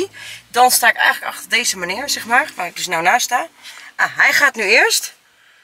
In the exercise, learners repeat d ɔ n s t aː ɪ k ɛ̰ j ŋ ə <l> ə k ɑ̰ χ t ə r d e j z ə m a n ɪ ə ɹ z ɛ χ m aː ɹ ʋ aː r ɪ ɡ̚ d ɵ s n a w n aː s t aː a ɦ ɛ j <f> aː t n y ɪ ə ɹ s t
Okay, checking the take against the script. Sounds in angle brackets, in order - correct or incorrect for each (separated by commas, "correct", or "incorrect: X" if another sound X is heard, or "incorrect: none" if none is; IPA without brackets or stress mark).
correct, incorrect: χ